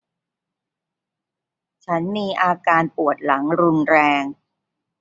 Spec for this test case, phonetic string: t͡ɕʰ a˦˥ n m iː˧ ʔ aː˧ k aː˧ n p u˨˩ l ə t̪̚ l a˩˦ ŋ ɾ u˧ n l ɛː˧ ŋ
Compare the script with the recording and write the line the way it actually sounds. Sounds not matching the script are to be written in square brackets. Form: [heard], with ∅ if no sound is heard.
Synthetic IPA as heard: t͡ɕʰ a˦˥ n m iː˧ ʔ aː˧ k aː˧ n p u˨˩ [∅] ə t̪̚ l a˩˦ ŋ ɾ u˧ n [ɾ] ɛː˧ ŋ